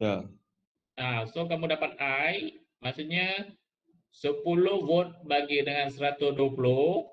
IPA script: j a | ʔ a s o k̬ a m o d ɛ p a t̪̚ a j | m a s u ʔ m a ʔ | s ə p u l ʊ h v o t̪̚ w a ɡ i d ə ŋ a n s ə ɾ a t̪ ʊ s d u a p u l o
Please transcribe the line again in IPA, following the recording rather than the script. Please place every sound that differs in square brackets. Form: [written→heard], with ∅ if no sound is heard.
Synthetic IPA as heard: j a | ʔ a s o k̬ a m [o→u] d [ɛ→a] p a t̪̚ a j | m a s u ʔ [m→ɲ] a [ʔ→∅] | s ə p u l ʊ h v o t̪̚ [w→b] a ɡ i d ə ŋ a n s ə ɾ a t̪ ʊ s d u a p u l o